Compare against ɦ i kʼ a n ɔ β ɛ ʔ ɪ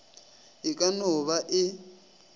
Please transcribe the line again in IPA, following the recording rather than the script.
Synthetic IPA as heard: ɦ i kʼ a n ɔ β a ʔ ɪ